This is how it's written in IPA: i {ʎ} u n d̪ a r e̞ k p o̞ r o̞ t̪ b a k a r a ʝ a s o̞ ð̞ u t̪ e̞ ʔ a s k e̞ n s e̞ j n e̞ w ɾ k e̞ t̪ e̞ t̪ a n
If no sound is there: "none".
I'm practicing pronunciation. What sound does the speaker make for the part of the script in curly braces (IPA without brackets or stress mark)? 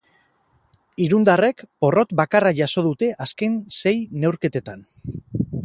ɾ